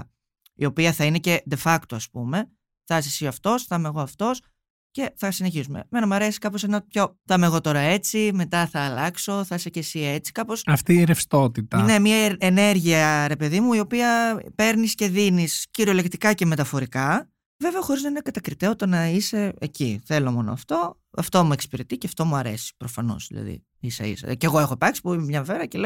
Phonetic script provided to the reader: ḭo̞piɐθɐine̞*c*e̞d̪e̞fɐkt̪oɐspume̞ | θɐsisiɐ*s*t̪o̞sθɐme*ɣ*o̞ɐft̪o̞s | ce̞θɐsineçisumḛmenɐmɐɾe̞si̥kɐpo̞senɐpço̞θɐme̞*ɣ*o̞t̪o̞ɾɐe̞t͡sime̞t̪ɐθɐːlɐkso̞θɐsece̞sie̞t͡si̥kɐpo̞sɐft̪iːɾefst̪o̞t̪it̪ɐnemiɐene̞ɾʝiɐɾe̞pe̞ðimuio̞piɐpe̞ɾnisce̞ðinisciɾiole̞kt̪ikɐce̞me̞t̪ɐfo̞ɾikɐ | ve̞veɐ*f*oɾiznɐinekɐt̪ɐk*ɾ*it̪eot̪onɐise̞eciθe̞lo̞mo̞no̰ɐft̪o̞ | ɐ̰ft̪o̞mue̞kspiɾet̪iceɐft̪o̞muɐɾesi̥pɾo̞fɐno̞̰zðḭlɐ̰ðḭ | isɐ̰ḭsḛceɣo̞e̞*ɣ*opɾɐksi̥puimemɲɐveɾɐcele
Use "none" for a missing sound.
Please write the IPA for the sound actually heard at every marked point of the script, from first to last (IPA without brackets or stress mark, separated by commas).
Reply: c, f, ɣ, ɣ, x, ɾ, x